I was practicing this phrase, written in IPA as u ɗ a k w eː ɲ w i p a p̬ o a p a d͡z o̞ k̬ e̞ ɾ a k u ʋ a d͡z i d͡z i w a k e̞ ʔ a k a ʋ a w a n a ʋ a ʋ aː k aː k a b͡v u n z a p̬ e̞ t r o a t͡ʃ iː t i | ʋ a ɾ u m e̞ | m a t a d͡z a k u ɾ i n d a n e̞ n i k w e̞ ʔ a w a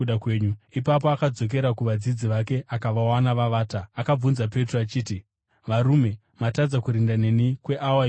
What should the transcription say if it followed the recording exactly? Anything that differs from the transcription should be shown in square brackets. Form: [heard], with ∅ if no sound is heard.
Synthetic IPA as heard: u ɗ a k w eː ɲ [u] i p a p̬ o a [k] a d͡z o̞ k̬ e̞ ɾ a k u ʋ a d͡z i d͡z i [ʋ] a k e̞ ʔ a k a ʋ a w a n a ʋ a ʋ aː [t] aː k a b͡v u n z a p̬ e̞ t r o a t͡ʃ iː t i | ʋ a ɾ u m e̞ | m a t a d͡z a k u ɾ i n d a n e̞ n i k w e̞ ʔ a w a